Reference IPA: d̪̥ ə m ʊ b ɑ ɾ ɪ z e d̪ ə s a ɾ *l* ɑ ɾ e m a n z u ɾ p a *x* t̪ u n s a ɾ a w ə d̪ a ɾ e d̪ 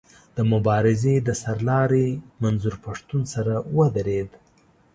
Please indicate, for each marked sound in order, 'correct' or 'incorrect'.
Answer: correct, incorrect: ʂ

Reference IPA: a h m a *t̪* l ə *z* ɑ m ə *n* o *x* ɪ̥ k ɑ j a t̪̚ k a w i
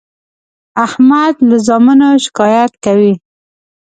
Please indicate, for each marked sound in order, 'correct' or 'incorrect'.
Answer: incorrect: d̪, correct, correct, incorrect: ʃ

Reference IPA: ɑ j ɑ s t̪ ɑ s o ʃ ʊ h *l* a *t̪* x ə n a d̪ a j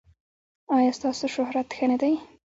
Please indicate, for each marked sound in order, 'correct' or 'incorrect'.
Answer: incorrect: ɾ, correct

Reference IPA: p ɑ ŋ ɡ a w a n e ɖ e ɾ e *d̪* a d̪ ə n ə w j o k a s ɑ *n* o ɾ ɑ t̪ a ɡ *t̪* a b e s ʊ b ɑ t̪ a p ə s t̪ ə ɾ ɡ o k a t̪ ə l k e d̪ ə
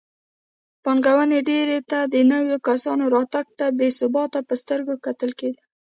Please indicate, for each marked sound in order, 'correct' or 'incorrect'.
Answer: incorrect: t̪, correct, correct

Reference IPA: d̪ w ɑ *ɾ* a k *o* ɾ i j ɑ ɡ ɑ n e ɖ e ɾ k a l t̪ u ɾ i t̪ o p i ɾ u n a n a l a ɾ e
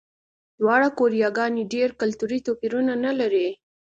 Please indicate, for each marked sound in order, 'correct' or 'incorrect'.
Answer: incorrect: ɽ, correct

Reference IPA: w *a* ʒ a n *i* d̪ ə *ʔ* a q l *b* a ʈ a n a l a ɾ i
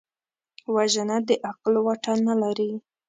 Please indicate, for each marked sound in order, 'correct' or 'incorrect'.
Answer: correct, incorrect: a, correct, incorrect: w

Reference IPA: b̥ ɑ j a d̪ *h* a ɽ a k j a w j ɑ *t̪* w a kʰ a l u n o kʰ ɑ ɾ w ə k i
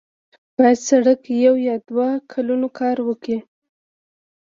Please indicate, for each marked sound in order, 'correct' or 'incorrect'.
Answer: incorrect: s, incorrect: d̪

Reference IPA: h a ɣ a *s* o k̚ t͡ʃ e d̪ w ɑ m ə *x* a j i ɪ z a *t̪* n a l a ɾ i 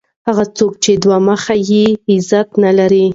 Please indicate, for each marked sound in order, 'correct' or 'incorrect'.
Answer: incorrect: t͡s, correct, correct

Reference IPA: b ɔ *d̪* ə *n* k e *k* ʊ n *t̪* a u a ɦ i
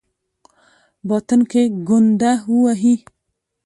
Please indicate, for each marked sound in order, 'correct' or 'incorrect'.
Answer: incorrect: t̪, correct, incorrect: ɡ, incorrect: d̪

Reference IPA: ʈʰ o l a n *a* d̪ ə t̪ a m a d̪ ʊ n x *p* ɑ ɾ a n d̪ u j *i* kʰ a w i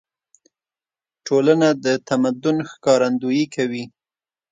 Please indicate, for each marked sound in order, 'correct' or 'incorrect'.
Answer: correct, incorrect: k, correct

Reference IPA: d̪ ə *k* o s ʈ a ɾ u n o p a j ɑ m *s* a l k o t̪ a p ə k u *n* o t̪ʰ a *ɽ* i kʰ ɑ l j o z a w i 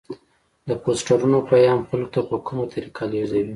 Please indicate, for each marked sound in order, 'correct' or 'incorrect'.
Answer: incorrect: p, incorrect: x, incorrect: m, incorrect: ɾ

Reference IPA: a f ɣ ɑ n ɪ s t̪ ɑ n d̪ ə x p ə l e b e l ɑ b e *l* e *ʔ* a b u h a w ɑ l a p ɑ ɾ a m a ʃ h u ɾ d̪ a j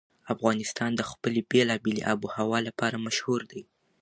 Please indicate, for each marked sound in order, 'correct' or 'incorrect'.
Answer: correct, correct

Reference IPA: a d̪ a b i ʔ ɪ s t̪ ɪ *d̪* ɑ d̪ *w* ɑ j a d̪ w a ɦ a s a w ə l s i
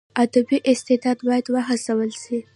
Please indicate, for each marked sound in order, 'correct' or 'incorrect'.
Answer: correct, incorrect: b

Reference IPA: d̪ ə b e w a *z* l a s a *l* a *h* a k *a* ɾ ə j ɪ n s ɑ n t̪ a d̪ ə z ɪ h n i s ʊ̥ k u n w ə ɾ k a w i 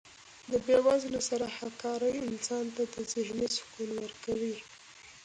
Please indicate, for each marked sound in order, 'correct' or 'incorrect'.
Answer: correct, incorrect: ɾ, correct, incorrect: ɑ

